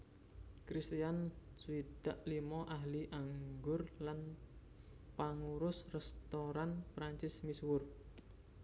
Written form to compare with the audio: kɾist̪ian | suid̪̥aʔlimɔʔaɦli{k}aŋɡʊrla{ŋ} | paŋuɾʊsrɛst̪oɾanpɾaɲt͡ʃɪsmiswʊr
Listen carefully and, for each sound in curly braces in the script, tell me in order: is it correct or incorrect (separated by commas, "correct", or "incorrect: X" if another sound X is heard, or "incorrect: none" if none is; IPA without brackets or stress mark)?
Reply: incorrect: ʔ, incorrect: n